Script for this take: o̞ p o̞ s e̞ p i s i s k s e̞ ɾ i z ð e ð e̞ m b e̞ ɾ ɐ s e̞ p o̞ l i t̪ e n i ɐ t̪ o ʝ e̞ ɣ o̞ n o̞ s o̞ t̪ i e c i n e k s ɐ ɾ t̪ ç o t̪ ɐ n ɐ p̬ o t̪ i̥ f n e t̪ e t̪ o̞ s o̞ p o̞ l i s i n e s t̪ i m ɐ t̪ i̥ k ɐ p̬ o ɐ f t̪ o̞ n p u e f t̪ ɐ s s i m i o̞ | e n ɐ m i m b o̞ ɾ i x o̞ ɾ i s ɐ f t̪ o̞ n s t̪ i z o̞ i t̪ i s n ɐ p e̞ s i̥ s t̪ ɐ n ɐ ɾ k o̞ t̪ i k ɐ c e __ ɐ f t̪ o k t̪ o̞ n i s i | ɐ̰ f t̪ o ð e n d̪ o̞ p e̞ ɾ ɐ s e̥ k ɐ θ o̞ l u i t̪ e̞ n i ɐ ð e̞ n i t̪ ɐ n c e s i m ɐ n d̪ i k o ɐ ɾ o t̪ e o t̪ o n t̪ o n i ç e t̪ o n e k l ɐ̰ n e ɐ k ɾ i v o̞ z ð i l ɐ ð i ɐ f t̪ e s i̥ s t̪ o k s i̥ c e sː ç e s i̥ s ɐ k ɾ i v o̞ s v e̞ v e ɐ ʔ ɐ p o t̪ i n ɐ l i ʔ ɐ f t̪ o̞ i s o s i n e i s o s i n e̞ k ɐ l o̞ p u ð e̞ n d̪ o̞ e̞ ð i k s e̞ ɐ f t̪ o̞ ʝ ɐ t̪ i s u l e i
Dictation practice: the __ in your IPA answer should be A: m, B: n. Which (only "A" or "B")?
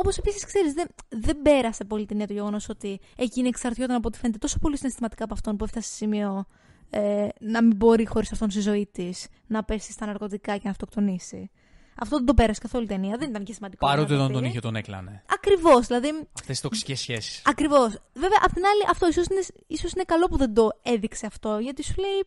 B